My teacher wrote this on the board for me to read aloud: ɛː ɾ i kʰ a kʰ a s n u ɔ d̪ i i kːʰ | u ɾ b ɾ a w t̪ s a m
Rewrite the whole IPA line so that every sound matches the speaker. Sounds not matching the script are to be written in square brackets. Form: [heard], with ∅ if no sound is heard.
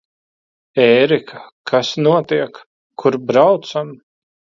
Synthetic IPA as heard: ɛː ɾ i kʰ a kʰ a s n u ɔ [t̪] i [ɛ] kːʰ | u ɾ b ɾ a w t̪ s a m